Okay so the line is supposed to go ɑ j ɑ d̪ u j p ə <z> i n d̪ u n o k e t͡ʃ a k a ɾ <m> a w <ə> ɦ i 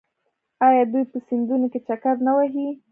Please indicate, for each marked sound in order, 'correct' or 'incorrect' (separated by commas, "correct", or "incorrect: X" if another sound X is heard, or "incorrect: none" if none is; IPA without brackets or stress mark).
incorrect: s, incorrect: n, incorrect: a